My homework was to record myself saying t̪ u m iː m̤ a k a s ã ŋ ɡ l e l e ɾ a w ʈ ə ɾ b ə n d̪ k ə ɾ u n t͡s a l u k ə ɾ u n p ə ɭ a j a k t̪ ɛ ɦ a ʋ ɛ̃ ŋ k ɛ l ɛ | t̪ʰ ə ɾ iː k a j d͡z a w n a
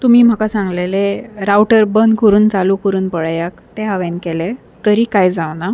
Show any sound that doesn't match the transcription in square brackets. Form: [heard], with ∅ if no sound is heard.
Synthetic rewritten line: t̪ u m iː m̤ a k a s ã ŋ ɡ l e l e ɾ a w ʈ ə ɾ b ə n d̪ k ə ɾ [uː] n t͡s a l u k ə ɾ [uː] n p ə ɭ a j a k t̪ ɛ ɦ a ʋ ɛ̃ [n] k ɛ l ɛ | [t̪] ə ɾ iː k a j d͡z a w n a